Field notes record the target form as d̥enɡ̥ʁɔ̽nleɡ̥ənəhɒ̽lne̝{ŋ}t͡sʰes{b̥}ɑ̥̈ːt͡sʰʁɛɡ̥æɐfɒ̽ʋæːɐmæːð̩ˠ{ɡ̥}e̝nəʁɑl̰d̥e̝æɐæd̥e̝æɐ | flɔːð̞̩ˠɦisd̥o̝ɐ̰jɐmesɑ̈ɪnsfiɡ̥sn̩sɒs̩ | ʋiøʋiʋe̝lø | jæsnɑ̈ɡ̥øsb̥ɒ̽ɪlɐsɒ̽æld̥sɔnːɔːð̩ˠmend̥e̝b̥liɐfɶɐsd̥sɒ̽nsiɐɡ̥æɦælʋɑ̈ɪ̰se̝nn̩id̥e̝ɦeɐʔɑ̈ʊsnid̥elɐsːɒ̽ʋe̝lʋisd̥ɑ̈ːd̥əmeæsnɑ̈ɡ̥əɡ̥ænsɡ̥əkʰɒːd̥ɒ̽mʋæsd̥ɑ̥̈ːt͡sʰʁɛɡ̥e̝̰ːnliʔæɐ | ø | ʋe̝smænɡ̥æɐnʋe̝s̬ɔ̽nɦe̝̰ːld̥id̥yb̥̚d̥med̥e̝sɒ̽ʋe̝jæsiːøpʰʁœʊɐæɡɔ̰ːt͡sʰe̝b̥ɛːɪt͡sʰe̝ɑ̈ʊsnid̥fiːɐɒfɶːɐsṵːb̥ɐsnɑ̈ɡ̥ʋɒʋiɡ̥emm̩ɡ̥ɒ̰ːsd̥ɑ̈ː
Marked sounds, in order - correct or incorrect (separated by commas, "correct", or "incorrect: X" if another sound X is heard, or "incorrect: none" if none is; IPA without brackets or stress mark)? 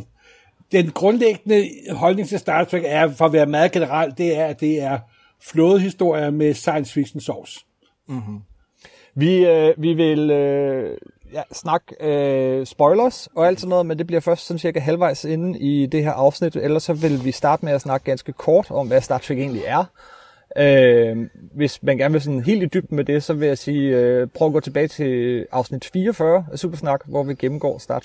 correct, incorrect: d̥, correct